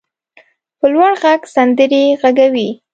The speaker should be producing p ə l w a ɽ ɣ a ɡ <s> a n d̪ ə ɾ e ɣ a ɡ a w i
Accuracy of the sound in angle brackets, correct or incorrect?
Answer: correct